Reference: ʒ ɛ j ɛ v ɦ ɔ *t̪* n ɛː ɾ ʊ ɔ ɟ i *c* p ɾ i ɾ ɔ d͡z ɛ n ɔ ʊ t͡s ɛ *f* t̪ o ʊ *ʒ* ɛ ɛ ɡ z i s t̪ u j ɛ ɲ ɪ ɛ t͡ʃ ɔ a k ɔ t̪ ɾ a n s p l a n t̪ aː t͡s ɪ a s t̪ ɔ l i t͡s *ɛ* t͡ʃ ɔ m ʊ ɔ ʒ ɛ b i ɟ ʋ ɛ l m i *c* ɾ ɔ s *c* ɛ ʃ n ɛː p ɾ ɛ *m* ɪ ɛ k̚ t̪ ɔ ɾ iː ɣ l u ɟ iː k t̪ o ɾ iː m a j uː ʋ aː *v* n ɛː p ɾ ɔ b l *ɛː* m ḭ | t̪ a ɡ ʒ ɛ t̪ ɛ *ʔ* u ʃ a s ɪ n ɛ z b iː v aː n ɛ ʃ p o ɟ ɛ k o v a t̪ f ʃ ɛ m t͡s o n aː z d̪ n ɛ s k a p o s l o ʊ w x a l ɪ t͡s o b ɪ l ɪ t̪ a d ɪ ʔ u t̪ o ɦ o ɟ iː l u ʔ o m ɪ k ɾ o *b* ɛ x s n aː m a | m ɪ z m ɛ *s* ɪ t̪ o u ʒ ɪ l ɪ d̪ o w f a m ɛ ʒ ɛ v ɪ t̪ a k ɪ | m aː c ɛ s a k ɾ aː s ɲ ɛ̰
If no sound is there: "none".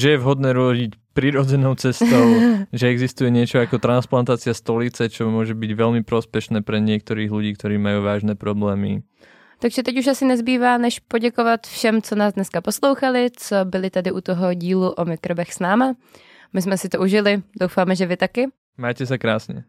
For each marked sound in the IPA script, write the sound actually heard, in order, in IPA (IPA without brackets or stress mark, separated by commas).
d̪, c, s, ʒ, ɛ, p, p, ɲ, ʒ, ɛː, c, b, s